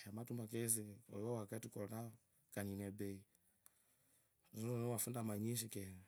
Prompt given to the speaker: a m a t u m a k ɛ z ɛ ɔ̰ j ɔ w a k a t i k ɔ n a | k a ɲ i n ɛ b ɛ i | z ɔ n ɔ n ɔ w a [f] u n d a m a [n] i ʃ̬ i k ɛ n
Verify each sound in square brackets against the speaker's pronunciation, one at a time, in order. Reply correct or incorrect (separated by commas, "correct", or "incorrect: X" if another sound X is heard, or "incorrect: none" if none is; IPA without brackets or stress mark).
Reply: correct, incorrect: ɲ